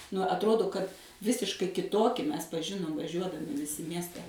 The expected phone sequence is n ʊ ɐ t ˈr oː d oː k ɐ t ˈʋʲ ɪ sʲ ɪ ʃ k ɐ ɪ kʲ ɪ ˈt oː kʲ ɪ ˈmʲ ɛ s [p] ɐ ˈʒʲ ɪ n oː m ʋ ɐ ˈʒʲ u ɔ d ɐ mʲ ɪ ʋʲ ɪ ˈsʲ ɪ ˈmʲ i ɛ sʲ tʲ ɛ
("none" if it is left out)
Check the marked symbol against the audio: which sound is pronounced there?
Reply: p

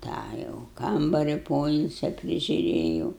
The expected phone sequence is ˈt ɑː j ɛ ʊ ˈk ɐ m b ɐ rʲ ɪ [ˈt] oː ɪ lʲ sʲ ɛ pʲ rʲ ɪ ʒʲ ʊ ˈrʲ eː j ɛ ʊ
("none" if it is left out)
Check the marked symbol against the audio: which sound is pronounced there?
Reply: p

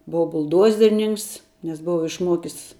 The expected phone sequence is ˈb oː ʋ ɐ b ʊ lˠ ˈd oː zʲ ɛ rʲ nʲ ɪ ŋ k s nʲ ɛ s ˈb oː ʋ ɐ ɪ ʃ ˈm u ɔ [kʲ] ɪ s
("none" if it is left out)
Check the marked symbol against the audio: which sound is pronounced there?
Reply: kʲ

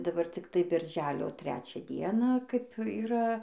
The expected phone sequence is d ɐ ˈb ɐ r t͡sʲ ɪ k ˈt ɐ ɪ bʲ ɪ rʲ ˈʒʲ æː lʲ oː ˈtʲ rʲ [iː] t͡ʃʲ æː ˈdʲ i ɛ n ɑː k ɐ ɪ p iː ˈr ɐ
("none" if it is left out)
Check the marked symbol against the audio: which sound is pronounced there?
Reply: æː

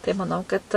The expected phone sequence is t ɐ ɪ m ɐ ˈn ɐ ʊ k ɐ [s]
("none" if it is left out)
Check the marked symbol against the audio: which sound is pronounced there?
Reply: t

